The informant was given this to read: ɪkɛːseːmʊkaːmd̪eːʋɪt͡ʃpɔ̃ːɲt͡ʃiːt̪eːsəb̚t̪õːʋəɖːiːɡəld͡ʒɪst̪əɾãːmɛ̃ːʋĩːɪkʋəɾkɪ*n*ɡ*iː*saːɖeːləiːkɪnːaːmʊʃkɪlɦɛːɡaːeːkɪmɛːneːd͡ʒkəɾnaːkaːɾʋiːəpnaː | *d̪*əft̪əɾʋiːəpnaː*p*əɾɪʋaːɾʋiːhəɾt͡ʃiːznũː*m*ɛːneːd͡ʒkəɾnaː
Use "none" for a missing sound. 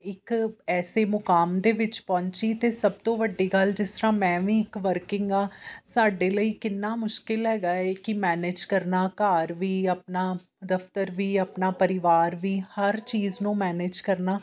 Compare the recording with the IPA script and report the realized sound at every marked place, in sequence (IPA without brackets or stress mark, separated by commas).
ŋ, aː, d̪, p, m